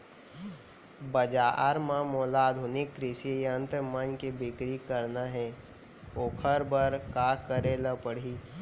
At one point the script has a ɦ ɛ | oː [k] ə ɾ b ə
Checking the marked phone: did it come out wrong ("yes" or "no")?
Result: yes